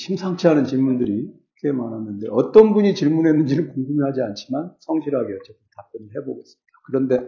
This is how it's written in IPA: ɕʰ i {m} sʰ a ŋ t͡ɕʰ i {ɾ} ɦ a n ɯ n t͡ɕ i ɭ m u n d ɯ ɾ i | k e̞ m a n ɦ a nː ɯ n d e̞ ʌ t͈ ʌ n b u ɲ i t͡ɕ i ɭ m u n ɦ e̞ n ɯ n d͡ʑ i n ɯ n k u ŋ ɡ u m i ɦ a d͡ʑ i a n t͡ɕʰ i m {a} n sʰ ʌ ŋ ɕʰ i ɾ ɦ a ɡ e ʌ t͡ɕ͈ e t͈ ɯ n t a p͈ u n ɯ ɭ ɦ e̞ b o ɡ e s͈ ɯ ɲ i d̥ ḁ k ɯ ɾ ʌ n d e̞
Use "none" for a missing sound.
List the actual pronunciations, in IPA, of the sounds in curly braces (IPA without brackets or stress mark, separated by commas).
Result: m, none, a